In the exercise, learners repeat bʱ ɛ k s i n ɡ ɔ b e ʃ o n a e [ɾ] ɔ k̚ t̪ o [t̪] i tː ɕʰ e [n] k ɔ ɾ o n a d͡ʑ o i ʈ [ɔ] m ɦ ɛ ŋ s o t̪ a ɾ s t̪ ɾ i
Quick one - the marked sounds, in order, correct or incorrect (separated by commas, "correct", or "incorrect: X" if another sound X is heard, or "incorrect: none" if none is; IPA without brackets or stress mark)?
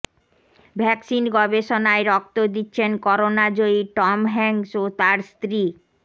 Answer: correct, incorrect: d̪, correct, correct